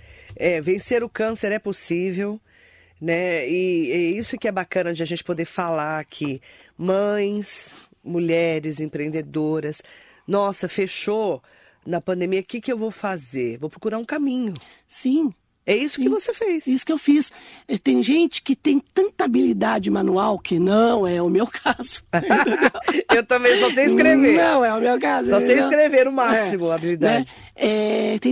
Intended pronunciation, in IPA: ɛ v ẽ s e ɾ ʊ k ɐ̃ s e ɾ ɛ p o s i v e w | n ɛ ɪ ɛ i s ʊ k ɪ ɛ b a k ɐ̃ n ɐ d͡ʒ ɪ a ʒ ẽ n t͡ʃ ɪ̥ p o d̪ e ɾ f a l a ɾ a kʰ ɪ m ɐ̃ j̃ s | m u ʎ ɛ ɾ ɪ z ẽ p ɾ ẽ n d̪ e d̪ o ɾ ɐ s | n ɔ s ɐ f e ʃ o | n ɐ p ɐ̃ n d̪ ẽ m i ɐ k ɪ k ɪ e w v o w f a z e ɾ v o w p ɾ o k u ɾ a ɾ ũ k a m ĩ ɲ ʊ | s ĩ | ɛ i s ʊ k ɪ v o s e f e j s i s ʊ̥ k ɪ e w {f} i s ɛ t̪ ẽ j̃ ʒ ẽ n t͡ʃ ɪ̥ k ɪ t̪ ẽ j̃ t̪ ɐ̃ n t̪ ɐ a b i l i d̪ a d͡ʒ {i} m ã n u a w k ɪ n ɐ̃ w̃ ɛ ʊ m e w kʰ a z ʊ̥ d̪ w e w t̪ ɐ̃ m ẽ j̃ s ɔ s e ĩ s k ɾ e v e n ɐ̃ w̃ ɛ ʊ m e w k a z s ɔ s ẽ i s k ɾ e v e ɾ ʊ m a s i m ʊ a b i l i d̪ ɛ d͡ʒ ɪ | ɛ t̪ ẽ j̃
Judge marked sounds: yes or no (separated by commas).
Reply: yes, no